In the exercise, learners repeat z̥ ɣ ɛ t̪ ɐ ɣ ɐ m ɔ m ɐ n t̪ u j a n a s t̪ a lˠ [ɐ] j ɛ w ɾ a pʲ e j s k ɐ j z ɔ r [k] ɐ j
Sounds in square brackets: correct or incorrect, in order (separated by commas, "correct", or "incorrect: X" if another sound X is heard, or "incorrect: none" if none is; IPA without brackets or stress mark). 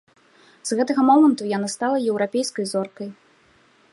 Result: correct, correct